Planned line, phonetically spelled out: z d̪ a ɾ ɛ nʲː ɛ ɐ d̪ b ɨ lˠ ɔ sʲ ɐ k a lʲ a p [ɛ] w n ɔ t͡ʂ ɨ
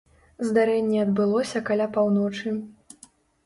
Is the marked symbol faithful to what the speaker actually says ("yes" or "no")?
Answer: no